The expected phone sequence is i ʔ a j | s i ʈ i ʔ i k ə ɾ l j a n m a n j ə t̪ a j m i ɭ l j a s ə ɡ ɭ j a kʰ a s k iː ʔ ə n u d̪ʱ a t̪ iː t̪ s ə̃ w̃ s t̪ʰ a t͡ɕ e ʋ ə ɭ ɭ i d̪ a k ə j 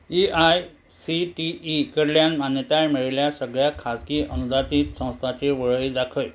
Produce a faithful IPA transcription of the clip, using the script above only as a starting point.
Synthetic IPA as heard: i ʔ a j | s i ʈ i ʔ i k ə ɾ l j a n m a n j ə t̪ a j m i ɭ l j a s ə ɡ ɭ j a kʰ a s k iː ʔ ə n u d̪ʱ a t̪ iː t̪ s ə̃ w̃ s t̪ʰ a t͡ɕ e ʋ ə ɭ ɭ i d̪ a kʰ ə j